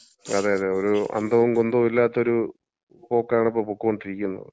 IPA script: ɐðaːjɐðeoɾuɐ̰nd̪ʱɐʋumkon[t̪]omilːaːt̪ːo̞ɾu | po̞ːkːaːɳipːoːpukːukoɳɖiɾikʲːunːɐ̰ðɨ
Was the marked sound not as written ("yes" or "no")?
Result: yes